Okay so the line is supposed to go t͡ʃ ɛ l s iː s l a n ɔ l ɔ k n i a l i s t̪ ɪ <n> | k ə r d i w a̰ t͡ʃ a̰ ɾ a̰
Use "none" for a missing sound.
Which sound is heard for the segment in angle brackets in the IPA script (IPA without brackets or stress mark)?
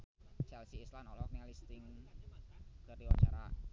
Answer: ŋ